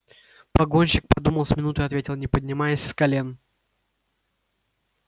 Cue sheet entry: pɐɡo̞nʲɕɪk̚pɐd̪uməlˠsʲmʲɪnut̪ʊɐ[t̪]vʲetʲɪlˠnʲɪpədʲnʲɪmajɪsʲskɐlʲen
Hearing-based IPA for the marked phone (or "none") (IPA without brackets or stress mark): t̪